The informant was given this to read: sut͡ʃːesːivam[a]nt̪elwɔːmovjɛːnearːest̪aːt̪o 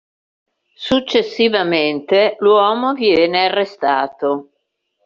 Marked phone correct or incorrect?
incorrect: e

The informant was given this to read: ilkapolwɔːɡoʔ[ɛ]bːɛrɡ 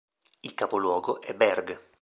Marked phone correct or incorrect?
correct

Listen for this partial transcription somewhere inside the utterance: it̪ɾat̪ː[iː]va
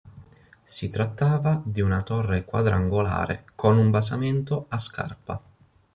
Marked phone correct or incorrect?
incorrect: aː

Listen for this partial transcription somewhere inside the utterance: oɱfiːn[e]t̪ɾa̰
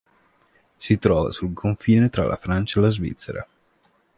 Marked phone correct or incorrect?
correct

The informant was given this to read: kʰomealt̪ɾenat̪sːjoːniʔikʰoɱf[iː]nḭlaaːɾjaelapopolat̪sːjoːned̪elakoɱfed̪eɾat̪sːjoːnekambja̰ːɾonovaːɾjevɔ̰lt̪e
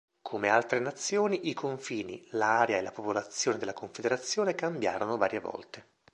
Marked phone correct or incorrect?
correct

